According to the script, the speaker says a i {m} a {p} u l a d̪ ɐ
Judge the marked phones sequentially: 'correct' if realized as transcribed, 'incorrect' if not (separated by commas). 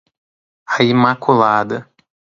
correct, incorrect